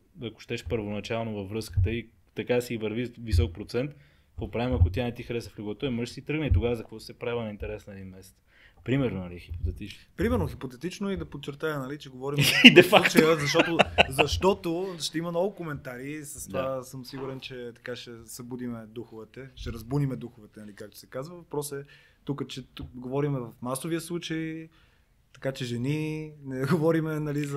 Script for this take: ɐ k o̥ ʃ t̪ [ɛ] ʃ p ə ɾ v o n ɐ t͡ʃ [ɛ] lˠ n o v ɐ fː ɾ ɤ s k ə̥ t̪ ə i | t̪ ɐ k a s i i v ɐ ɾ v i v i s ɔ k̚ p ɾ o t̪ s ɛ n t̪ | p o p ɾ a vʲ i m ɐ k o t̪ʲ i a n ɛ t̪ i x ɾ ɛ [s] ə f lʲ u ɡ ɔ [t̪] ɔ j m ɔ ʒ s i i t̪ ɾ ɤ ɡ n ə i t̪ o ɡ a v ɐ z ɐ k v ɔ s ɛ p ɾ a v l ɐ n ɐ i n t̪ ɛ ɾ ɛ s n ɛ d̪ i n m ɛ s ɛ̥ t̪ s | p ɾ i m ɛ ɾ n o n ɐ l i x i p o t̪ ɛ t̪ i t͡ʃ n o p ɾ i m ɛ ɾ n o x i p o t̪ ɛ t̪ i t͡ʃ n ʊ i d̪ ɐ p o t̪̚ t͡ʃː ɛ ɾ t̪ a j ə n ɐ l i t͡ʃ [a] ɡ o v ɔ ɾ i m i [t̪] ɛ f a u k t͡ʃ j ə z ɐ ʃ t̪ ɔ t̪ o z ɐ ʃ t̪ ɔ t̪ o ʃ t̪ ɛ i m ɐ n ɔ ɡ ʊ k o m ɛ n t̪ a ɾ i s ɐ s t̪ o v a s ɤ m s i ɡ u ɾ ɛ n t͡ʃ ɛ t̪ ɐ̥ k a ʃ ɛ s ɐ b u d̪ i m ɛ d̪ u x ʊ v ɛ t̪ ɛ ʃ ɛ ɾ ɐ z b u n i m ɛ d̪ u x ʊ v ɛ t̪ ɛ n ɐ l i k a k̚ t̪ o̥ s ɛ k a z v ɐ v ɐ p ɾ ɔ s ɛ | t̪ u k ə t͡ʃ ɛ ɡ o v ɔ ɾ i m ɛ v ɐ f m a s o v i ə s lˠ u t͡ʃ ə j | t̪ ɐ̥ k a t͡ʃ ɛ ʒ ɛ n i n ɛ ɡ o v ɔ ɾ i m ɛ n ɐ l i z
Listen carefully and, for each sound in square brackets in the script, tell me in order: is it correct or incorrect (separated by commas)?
correct, incorrect, correct, correct, incorrect, incorrect